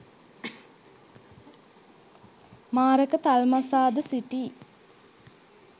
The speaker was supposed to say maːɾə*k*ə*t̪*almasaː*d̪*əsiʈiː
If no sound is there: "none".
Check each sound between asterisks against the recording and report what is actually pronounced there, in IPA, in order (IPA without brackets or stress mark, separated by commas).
k, t̪, d̪